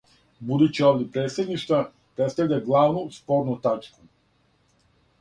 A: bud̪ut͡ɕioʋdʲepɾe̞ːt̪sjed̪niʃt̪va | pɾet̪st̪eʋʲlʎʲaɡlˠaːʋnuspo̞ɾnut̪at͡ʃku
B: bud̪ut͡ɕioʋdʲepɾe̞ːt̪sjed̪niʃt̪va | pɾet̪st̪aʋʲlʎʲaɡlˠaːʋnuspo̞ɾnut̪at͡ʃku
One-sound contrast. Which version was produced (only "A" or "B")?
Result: B